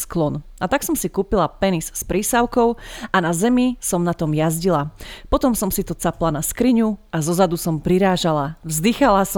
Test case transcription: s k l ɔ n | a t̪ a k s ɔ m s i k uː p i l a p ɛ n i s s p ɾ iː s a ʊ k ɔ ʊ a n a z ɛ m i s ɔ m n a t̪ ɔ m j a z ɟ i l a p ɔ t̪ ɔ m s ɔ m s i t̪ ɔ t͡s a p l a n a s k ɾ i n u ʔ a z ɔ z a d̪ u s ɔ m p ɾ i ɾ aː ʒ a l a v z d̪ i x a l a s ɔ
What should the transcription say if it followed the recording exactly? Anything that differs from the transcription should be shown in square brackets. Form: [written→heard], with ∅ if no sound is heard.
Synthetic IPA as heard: s k l ɔ n | a t̪ a k s ɔ m s i k uː p i l a p ɛ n i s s p ɾ iː s a ʊ k ɔ ʊ a n a z ɛ m i s ɔ m n a t̪ ɔ m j a z ɟ i l a p ɔ t̪ ɔ m s ɔ m s i t̪ ɔ t͡s a p l a n a s k ɾ i [n→ɲ] u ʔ a z ɔ z a d̪ u s ɔ m p ɾ i ɾ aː ʒ a l a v z d̪ i x a l a s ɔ